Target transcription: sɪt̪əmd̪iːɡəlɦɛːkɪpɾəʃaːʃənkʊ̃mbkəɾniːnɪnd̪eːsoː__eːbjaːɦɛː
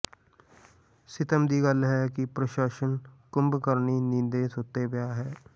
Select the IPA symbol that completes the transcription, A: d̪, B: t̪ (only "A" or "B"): B